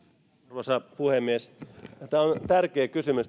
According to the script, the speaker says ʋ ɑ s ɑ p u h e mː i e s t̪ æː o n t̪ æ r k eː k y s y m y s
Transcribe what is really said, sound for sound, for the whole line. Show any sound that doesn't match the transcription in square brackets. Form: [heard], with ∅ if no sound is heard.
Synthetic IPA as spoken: ʋ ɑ s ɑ p u h e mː i e s t̪ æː o n t̪ æ r k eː k y s y m y s